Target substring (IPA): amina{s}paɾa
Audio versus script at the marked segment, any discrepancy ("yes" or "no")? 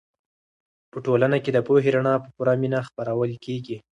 yes